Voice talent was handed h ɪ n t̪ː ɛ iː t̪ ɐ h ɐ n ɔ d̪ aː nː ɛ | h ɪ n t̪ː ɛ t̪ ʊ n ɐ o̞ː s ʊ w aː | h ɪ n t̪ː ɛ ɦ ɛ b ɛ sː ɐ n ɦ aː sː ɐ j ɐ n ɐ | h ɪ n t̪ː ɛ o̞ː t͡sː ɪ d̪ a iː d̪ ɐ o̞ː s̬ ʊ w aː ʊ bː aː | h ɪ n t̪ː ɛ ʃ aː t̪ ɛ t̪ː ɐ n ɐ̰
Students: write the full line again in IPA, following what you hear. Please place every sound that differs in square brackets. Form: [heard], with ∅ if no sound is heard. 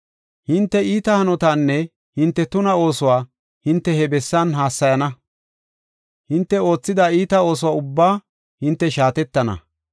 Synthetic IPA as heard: h ɪ n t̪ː ɛ iː t̪ ɐ h ɐ n ɔ [t̪] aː nː ɛ | h ɪ n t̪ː ɛ t̪ ʊ n ɐ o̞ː s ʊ w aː | h ɪ n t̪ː ɛ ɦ ɛ b ɛ sː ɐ n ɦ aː sː ɐ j ɐ n ɐ | h ɪ n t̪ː ɛ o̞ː t͡sː ɪ d̪ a iː [t̪] ɐ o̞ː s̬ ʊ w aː ʊ bː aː | h ɪ n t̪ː ɛ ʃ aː t̪ ɛ t̪ː ɐ n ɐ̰